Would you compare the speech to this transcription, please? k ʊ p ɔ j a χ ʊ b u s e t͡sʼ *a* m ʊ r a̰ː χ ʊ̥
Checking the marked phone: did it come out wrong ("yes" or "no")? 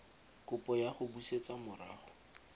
no